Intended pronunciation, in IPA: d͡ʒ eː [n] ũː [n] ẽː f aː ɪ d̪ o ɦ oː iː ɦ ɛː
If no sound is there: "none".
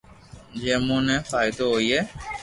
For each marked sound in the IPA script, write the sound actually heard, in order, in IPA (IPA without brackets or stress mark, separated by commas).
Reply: m, n